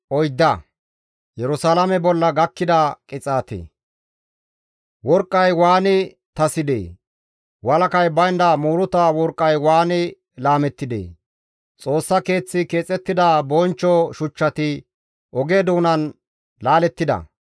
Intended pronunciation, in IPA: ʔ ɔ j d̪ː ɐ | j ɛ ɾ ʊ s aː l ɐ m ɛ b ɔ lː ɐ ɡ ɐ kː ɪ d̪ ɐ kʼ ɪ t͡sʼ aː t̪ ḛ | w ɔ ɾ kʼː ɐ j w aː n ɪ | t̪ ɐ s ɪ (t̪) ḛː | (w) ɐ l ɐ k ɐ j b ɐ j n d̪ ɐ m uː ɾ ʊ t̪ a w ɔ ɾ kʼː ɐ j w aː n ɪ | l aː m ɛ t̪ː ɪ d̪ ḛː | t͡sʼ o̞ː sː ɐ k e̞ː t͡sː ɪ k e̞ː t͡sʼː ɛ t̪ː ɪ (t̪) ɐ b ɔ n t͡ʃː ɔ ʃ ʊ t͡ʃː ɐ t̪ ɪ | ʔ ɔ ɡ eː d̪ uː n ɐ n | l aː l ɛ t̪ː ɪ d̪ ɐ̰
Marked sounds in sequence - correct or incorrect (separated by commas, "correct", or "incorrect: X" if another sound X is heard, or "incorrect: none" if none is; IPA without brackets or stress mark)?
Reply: incorrect: d̪, correct, incorrect: d̪